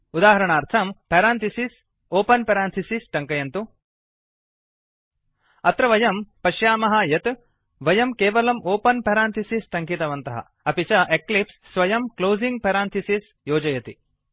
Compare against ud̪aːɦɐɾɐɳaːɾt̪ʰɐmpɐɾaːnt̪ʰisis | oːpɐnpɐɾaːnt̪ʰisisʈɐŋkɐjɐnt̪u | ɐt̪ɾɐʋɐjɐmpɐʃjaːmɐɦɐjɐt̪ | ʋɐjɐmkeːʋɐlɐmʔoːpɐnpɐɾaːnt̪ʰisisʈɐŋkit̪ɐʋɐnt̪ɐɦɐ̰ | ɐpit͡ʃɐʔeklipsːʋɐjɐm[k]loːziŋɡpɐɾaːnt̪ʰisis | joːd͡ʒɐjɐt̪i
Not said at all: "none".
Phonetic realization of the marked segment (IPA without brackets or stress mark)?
k